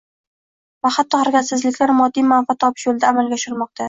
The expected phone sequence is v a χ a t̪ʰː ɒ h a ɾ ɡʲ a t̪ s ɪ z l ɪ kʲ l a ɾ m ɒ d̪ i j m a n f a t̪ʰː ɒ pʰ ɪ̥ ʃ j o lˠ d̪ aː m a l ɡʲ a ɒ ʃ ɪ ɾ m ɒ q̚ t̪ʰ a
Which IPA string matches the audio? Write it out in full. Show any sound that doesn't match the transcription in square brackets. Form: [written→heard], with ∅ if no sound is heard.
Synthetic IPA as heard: v a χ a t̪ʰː ɒ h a ɾ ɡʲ a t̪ s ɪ z l ɪ kʲ l a ɾ m ɒ [d̪→d̪ː] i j m a n f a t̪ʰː ɒ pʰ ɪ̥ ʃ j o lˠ d̪ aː m a l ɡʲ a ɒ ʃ ɪ ɾ m ɒ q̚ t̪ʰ a